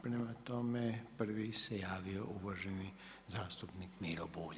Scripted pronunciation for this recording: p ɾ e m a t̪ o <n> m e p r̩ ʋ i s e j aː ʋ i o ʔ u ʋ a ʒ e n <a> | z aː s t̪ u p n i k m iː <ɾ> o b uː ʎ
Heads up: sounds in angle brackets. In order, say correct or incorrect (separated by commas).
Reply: incorrect, incorrect, correct